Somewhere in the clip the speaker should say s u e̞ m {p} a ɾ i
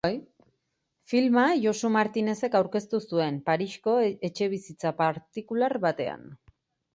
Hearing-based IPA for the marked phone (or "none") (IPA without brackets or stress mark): p